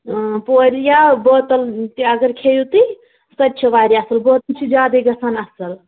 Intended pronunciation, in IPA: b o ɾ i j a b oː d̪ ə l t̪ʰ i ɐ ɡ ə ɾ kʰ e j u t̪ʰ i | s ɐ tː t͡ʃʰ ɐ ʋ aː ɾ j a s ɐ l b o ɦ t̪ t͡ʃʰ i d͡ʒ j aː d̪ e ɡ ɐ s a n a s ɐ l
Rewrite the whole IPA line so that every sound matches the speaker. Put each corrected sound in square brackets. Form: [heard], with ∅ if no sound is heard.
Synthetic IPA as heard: [p] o ɾ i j a b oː [t̪] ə l [t̪] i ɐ ɡ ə ɾ kʰ e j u [t̪] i | s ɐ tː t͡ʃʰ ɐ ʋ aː ɾ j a s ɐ l b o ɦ t̪ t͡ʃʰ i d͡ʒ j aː d̪ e ɡ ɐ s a n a s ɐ l